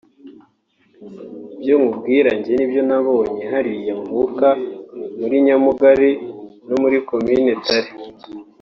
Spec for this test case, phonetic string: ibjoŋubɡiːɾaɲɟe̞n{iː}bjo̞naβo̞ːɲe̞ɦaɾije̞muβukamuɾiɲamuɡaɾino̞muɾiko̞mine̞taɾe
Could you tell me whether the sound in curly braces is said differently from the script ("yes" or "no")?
yes